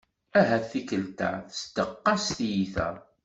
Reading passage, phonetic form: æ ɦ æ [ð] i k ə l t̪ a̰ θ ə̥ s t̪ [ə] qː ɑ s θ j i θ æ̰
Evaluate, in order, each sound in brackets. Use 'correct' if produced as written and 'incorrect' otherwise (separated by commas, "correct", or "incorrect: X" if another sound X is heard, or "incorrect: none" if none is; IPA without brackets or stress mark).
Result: incorrect: θ, correct